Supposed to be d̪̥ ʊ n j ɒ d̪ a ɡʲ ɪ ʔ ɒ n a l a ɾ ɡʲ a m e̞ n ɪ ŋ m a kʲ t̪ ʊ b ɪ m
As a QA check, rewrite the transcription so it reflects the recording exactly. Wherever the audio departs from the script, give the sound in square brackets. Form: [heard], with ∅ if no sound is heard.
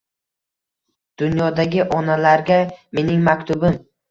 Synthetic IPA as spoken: d̪̥ ʊ n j ɒ d̪ a ɡʲ ɪ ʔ ɒ n a l a ɾ ɡʲ a m e̞ n ɪ ŋ m a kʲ t̪ ʊ b ɪ m